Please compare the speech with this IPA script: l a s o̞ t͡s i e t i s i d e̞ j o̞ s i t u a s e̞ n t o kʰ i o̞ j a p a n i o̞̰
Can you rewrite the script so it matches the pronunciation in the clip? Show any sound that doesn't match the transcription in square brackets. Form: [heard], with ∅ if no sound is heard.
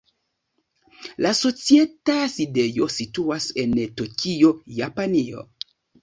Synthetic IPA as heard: l a s o̞ t͡s i e t [a] s i d e̞ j o̞ s i t u a s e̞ n t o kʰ i o̞ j a p a n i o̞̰